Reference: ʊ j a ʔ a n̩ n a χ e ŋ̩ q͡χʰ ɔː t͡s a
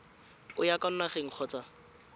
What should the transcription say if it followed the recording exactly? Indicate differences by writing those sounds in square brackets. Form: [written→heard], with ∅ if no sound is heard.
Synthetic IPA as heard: ʊ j a [ʔ→k] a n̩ n a χ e ŋ̩ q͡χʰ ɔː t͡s a